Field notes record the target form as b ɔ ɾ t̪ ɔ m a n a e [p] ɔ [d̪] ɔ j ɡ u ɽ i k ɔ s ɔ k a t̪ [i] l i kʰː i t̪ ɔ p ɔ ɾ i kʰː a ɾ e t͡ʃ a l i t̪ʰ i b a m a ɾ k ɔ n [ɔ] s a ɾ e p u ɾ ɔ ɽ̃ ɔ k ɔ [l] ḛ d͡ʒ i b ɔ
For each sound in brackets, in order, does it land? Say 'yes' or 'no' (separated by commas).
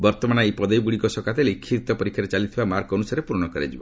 yes, yes, no, no, no